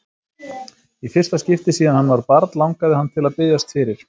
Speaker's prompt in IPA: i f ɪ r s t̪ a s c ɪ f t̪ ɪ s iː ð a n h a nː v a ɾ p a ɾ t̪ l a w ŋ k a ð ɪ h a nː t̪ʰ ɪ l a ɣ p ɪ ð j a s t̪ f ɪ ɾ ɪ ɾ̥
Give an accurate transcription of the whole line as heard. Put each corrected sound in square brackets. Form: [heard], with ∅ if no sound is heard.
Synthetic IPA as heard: i f ɪ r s t̪ a s c ɪ f t̪ ɪ s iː ð a n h a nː v a ɾ p a ɾ t̪ l a w ŋ k a ð ɪ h a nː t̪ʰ ɪ l a [ð] p ɪ ð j a s t̪ f ɪ ɾ ɪ ɾ̥